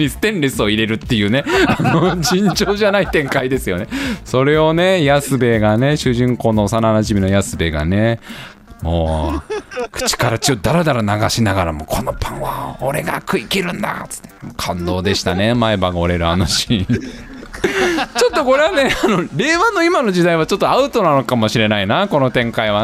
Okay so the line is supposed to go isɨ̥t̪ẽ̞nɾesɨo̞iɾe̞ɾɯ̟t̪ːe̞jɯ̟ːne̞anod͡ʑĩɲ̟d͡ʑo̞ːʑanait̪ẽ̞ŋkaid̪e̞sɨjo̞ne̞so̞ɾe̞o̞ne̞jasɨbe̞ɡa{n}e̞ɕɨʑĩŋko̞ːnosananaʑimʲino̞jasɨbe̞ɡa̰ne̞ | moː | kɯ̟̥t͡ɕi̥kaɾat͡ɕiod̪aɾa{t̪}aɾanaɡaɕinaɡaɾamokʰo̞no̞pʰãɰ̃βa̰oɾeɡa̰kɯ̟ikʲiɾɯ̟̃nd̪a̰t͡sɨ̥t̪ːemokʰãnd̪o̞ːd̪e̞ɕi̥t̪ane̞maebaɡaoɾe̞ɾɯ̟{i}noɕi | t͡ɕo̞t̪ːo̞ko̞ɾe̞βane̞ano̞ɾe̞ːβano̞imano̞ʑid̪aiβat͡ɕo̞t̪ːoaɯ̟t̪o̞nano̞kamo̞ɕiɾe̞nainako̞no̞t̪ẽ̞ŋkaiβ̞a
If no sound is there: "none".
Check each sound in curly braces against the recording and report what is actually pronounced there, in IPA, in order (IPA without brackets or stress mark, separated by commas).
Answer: n, d̪, a